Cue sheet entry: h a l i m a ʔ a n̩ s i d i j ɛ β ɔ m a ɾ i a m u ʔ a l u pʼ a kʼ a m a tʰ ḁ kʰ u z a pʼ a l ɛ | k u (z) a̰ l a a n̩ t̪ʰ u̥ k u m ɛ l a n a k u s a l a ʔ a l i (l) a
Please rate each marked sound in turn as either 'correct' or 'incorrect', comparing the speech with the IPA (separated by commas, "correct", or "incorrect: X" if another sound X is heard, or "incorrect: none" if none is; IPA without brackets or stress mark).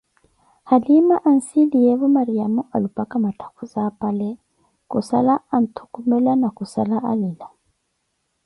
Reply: incorrect: s, correct